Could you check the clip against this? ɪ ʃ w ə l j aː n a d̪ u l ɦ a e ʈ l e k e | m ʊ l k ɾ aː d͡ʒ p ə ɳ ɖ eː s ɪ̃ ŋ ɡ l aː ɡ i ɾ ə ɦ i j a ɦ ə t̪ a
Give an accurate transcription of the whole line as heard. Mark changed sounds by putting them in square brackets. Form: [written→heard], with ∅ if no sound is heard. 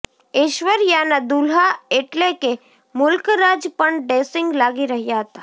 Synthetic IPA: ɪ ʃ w ə [l→ɾ] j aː n a d̪ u l ɦ a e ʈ l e k e | m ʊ l k ɾ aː d͡ʒ p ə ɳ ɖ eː s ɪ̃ ŋ ɡ l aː ɡ i ɾ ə ɦ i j a ɦ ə t̪ a